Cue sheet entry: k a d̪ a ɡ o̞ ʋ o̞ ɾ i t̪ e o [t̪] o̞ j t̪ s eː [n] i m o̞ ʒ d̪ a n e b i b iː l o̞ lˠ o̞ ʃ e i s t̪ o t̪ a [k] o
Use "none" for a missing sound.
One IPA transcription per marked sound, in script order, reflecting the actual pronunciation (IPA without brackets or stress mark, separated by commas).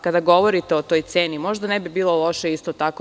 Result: t̪, n, k